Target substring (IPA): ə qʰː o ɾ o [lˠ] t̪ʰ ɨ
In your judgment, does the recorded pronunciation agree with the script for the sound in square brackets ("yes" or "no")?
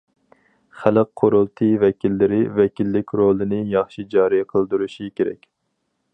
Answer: yes